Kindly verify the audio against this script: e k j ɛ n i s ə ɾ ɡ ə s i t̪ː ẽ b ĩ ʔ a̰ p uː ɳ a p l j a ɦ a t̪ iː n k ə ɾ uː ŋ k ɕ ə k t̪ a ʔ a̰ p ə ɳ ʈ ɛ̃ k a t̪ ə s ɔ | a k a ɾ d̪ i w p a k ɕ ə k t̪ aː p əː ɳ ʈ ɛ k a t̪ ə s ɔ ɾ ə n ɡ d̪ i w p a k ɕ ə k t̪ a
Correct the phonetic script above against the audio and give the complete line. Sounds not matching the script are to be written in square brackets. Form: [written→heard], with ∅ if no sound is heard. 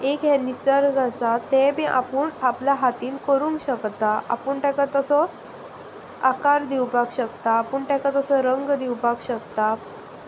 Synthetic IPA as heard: e k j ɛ n i s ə ɾ ɡ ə s [i→a] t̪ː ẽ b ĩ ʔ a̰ p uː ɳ a p l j a ɦ a t̪ iː n k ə ɾ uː ŋ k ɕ ə k t̪ a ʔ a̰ p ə ɳ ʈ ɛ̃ k a t̪ ə s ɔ | a k a ɾ d̪ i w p a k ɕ ə k t̪ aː p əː ɳ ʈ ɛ k a t̪ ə s ɔ ɾ ə [n→ŋ] ɡ d̪ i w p a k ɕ ə k t̪ a